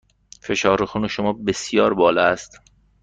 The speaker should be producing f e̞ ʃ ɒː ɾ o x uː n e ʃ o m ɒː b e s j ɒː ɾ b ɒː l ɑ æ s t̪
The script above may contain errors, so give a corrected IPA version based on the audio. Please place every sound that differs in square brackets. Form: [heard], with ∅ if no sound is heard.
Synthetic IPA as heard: f e̞ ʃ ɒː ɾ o x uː n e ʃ o m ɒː b e s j ɒː ɾ b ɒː l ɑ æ s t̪